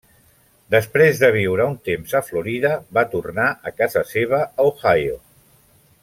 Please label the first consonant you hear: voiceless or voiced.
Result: voiced